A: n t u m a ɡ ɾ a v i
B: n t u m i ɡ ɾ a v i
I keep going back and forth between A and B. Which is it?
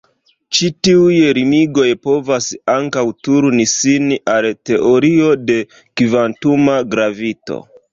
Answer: A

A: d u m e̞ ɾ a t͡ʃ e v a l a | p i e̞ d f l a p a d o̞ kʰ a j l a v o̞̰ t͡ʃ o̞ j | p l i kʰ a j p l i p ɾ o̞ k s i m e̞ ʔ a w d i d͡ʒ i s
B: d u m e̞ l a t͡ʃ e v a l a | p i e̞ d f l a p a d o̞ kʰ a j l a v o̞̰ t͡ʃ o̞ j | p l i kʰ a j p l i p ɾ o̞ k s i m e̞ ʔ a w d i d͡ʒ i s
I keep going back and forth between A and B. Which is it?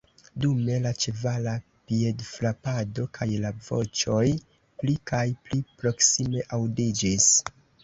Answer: B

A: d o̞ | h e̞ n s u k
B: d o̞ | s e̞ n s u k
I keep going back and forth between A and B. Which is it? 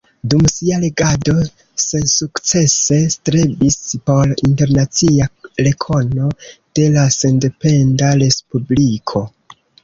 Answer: B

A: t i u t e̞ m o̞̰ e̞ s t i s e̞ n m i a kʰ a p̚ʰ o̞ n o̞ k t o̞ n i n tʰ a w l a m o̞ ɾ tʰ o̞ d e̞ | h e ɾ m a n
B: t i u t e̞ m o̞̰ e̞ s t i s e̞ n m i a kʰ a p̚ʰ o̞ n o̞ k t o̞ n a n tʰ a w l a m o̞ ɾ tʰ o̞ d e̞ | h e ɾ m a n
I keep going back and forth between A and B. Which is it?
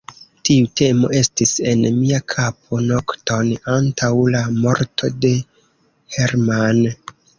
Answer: B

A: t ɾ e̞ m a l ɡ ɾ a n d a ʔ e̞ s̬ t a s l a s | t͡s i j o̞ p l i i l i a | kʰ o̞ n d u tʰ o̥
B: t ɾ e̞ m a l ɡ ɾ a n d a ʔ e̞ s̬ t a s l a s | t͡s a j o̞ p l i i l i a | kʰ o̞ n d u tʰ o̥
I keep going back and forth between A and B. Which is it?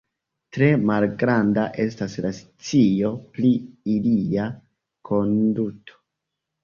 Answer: A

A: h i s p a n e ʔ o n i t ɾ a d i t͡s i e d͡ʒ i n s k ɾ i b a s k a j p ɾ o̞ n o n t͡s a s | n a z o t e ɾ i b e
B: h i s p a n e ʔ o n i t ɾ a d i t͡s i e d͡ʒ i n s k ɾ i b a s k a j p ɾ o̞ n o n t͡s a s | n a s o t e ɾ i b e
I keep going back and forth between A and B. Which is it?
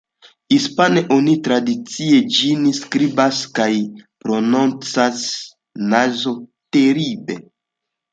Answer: A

